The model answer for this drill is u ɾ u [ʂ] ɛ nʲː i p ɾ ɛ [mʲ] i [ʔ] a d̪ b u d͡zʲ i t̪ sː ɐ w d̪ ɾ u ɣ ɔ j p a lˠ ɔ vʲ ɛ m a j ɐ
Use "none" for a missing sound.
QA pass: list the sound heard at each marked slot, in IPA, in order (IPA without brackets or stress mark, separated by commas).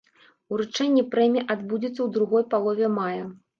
t͡ʂ, mʲ, ʔ